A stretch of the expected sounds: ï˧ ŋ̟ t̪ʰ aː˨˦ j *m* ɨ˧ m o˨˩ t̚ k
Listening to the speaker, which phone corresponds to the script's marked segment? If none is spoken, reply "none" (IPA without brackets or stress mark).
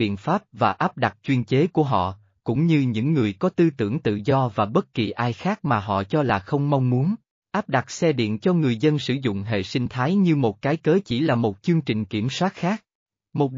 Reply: ɲ